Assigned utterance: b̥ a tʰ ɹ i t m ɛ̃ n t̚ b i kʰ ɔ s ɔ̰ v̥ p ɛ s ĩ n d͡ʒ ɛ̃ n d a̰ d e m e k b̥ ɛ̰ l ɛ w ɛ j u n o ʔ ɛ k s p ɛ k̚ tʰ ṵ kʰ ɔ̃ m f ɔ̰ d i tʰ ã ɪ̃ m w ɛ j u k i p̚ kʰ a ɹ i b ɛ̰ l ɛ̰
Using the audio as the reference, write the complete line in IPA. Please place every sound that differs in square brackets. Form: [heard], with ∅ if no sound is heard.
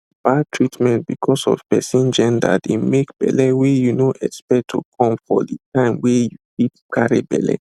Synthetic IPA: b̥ a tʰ ɹ i t m ɛ̃ n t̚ b i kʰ ɔ s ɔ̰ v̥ p ɛ s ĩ n d͡ʒ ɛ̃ n d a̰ d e m e k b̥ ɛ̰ l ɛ w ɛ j u n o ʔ ɛ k s p ɛ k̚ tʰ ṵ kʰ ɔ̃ m f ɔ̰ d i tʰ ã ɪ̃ m w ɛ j u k i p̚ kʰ a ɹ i b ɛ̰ l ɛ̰